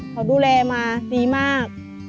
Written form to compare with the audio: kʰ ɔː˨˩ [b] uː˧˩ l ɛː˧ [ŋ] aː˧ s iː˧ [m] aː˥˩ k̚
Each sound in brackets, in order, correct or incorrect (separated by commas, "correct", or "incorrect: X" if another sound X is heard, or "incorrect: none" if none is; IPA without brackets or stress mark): incorrect: d, incorrect: m, correct